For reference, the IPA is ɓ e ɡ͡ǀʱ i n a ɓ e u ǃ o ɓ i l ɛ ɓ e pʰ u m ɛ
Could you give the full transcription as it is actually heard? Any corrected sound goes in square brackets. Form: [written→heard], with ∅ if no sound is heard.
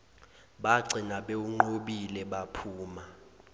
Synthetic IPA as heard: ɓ [e→a] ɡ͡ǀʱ i n a ɓ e u [ǃ→ŋ͡ǃ] o ɓ i l ɛ ɓ [e→a] pʰ [u→uː] m [ɛ→a]